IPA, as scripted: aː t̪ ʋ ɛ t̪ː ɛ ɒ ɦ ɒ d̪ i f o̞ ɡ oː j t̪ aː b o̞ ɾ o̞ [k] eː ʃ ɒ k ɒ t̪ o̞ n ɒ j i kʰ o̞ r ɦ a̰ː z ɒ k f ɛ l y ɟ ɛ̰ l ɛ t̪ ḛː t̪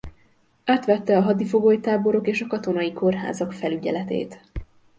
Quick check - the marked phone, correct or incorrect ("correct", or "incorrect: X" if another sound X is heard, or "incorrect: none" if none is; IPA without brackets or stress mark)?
correct